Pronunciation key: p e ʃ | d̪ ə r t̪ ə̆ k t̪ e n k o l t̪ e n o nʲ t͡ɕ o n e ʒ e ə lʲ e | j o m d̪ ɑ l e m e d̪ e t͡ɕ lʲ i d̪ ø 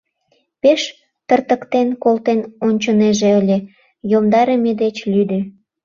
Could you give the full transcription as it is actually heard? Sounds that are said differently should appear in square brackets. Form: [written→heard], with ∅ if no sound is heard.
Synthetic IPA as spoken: p e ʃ | [d̪→t̪] ə r t̪ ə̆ k t̪ e n k o l t̪ e n o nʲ t͡ɕ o n e ʒ e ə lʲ e | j o m d̪ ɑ [l→ɾ] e m e d̪ e t͡ɕ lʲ [i→y] d̪ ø